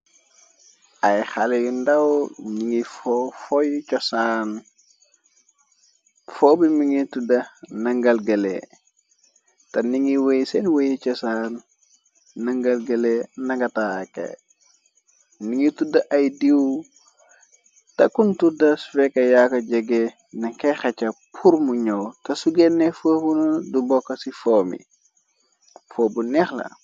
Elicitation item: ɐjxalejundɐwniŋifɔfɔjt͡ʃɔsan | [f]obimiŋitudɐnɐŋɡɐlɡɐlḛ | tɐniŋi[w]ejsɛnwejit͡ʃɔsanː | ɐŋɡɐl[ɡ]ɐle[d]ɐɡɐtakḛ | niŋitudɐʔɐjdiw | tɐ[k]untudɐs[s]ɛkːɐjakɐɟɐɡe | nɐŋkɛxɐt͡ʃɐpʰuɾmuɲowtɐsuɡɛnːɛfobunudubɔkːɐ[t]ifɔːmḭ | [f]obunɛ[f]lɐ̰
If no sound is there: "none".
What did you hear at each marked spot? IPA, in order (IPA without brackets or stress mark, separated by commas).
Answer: f, w, ɡ, n, k, f, s, f, x